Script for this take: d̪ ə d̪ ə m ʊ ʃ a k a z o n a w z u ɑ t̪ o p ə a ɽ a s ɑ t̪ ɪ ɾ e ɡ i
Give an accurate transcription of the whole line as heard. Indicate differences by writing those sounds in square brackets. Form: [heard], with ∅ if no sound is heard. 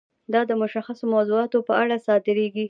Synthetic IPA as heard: d̪ [ɑ] d̪ ə m ʊ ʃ a [x] a [s] o [m] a w z u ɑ t̪ o p ə a ɽ a s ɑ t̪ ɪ ɾ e ɡ i